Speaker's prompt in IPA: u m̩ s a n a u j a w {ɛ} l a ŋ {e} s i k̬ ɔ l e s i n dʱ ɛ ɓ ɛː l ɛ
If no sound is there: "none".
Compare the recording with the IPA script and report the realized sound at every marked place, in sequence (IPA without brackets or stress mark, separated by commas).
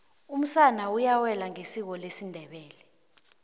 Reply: ɛ, e